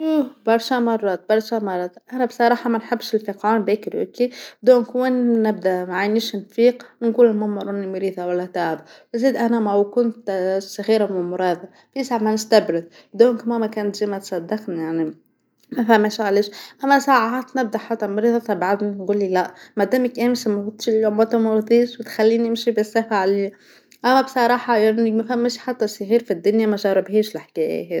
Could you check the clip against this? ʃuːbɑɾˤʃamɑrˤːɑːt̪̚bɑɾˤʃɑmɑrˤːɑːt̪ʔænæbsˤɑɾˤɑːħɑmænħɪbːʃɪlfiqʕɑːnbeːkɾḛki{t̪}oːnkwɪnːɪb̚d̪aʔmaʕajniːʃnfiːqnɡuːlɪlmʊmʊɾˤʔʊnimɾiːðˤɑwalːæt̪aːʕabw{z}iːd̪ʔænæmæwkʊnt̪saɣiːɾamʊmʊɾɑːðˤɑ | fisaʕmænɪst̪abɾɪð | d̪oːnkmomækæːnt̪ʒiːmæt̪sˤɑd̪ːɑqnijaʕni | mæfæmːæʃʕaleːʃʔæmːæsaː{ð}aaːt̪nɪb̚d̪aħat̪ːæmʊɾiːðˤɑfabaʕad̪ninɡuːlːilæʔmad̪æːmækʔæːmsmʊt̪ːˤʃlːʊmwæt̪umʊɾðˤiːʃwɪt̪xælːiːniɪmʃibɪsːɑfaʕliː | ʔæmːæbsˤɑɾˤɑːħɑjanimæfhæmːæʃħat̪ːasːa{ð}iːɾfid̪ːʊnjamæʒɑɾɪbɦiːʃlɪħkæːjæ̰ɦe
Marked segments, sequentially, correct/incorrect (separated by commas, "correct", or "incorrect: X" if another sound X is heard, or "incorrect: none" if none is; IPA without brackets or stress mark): incorrect: d̪, correct, incorrect: ʕ, incorrect: ɣ